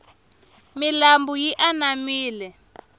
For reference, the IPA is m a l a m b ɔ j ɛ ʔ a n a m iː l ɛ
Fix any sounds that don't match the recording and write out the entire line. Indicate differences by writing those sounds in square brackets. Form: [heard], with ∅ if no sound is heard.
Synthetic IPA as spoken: m [i] l a m b [u] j [i] ʔ a n a m iː l ɛ